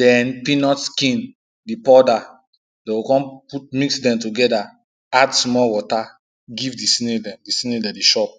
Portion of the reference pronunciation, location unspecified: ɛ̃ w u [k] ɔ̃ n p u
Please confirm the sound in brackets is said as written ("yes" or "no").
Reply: yes